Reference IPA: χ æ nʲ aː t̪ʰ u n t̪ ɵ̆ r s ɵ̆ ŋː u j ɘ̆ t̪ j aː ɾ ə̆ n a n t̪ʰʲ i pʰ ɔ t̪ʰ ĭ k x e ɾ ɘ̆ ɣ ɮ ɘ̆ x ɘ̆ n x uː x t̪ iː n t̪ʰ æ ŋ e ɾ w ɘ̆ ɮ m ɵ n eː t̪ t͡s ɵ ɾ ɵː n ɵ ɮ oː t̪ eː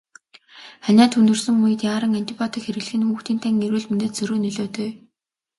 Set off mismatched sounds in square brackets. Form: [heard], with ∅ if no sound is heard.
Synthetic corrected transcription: χ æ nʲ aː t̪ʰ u n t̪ ɵ̆ r s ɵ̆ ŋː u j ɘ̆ t̪ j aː ɾ ə̆ [ŋ] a n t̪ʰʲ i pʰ ɔ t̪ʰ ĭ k x e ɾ ɘ̆ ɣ ɮ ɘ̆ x ɘ̆ n x uː x t̪ iː n t̪ʰ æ ŋ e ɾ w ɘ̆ ɮ m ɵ n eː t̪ t͡s ɵ ɾ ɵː n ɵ ɮ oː t̪ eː